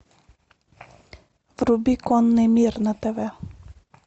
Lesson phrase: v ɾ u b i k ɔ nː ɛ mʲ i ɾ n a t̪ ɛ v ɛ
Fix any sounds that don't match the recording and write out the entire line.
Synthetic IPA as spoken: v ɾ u b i k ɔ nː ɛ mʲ i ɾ n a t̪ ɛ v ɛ